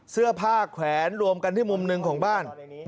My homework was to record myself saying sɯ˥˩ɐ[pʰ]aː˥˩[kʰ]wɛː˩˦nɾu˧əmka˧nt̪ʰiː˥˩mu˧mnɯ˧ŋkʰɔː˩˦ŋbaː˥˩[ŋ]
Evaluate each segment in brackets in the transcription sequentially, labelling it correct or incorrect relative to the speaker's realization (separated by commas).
correct, correct, incorrect